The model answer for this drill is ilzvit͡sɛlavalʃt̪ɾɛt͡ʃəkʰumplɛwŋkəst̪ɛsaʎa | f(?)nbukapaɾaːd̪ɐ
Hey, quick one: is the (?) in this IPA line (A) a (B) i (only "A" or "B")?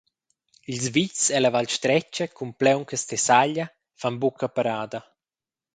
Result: A